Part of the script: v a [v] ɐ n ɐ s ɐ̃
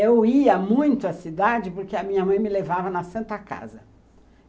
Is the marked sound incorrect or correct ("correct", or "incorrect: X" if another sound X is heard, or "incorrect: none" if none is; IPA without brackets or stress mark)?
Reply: correct